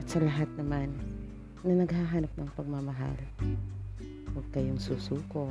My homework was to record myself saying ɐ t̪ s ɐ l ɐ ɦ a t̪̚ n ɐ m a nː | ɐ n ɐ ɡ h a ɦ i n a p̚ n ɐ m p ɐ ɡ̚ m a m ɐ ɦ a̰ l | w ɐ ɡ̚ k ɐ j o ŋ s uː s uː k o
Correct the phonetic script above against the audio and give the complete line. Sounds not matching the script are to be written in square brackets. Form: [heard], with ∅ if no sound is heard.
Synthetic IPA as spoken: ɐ t̪ s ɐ l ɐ ɦ a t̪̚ n ɐ m a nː | ɐ n ɐ ɡ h a ɦ [a] n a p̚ n ɐ [ŋ] p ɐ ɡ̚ m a m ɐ ɦ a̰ l | w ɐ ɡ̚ k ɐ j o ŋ s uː s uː k o